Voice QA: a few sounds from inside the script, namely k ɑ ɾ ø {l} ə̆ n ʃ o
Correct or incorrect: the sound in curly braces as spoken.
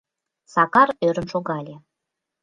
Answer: incorrect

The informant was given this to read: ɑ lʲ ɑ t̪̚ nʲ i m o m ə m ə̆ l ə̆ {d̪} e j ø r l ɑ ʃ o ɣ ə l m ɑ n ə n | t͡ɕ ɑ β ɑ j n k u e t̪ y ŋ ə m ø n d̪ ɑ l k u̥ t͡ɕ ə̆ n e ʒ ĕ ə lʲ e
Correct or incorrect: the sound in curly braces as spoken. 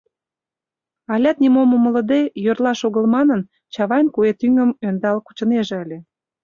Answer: correct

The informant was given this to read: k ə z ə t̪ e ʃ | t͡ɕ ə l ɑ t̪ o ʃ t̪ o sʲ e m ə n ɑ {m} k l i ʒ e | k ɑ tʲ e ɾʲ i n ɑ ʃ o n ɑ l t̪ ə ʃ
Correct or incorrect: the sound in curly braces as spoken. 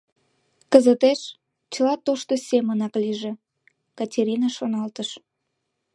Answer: incorrect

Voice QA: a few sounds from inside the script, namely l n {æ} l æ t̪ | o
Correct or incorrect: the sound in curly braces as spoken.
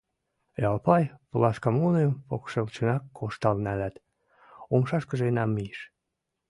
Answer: correct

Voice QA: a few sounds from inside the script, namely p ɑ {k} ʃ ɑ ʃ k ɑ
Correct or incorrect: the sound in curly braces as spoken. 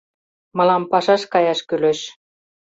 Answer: incorrect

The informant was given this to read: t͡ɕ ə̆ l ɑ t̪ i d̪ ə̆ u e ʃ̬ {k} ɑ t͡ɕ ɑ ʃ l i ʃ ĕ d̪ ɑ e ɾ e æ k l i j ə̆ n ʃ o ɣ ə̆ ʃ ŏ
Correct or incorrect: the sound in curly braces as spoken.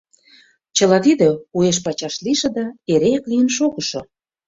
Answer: incorrect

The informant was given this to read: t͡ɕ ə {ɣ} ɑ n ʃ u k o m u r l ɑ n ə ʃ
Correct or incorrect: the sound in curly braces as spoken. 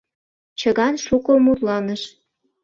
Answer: correct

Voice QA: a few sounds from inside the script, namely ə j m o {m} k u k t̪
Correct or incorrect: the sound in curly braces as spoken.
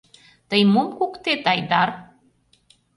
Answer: correct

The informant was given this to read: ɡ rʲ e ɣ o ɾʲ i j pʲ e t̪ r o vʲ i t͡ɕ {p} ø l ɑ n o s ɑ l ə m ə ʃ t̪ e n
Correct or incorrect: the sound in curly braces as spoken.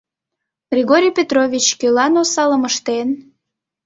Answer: incorrect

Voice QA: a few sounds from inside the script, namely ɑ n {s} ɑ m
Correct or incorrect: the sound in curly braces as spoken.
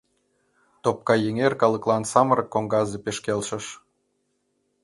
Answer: correct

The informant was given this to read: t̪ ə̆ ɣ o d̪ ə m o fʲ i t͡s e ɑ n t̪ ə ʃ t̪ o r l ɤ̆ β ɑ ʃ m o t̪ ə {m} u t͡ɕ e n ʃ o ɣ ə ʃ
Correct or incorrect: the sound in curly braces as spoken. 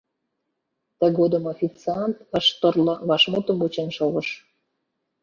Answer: correct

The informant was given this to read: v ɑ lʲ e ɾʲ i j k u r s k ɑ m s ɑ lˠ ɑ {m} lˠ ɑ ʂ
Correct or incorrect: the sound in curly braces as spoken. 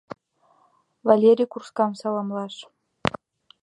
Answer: correct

